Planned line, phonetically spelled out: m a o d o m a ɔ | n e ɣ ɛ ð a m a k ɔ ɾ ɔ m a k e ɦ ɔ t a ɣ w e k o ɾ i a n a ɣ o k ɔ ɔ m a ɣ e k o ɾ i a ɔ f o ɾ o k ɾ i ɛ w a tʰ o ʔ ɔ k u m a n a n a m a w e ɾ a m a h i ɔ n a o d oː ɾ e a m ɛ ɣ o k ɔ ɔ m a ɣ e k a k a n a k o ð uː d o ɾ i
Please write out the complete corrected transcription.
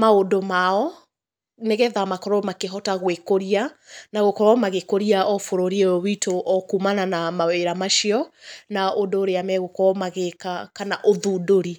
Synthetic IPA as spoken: m a o d o m a ɔ | n e ɣ ɛ ð a m a k ɔ ɾ ɔ m a k e ɦ ɔ t a ɣ w e k o ɾ i a n a ɣ o k ɔ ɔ m a ɣ e k o ɾ i a ɔ f o ɾ o ɾ i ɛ w i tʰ o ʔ ɔ k u m a n a n a m a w e ɾ a m a ʃ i ɔ n a o d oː ɾ e a m ɛ ɣ o k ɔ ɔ m a ɣ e k a k a n a ʔ o ð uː d o ɾ i